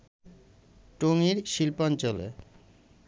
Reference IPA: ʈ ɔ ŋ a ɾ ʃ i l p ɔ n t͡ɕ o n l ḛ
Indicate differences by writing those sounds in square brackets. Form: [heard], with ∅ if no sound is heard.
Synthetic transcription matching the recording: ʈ [o] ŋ [i] ɾ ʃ i l p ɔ n t͡ɕ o [∅] l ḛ